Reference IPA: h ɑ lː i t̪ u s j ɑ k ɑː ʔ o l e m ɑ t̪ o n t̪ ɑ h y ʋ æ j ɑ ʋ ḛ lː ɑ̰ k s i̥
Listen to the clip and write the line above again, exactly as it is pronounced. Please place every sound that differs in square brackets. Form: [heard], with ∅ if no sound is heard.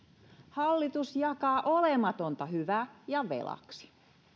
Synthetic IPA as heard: h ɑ lː i t̪ u s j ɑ k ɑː ʔ o l e m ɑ t̪ o n t̪ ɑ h y ʋ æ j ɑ ʋ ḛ [l] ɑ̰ k s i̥